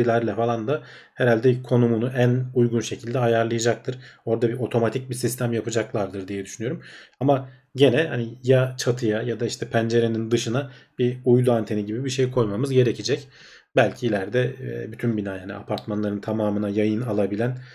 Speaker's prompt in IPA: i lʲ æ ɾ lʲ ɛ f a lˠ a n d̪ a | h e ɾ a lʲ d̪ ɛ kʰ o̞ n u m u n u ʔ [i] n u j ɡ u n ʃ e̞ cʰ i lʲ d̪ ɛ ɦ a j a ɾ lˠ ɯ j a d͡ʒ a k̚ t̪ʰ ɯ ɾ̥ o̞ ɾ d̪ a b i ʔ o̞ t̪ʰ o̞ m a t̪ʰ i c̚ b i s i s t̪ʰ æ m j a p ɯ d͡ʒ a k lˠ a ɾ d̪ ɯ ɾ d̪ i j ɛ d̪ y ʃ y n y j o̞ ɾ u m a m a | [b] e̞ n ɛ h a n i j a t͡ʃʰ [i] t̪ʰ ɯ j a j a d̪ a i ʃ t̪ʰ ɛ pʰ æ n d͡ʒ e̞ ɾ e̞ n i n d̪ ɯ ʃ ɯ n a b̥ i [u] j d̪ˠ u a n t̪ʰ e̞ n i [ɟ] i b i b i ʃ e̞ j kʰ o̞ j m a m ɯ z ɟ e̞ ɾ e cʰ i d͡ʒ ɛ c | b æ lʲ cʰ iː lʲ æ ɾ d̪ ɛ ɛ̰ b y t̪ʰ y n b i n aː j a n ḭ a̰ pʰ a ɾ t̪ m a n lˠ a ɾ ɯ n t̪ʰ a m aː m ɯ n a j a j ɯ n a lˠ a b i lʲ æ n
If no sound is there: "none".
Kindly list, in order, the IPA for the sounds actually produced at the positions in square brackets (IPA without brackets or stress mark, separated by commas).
æ, ɟ, a, u, ɟ